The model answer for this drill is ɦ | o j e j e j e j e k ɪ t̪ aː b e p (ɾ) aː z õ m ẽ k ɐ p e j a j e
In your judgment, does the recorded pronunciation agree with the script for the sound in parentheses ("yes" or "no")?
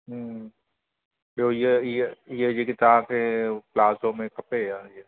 no